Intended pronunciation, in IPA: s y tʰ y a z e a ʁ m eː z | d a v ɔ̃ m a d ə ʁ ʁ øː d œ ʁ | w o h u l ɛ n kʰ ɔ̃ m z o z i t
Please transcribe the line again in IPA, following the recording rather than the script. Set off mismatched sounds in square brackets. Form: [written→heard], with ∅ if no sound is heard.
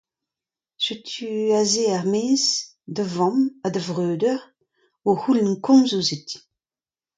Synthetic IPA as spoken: s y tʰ y a z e a ʁ m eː z | d [a→ə] v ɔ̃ m a d ə [ʁ→v] ʁ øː d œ ʁ | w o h u l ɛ n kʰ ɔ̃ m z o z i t